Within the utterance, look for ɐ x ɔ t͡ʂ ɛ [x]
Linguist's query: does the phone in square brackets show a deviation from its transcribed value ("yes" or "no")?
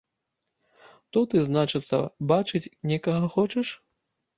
yes